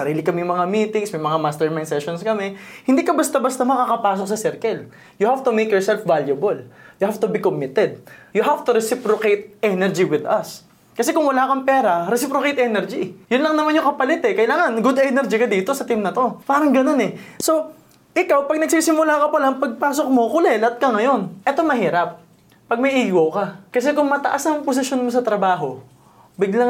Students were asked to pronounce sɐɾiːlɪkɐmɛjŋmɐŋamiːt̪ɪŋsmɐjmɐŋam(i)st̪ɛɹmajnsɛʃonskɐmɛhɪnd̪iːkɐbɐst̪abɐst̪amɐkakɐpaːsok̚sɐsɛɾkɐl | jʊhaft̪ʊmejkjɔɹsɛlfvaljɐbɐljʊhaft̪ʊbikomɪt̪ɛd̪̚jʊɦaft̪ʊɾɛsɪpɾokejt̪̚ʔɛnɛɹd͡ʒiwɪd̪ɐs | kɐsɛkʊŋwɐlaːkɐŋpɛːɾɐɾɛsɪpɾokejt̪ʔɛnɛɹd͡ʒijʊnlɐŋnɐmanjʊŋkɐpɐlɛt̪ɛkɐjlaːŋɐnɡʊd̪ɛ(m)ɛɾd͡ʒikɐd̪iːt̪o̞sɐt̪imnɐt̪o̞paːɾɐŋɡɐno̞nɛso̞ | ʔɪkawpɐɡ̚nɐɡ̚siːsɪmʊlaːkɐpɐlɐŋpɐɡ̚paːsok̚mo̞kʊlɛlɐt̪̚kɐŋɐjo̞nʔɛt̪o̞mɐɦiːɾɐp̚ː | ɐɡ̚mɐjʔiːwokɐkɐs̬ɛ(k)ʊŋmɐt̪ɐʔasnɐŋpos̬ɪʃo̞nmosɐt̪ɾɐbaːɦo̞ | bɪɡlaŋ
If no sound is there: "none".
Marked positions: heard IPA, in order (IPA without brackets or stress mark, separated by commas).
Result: a, n, k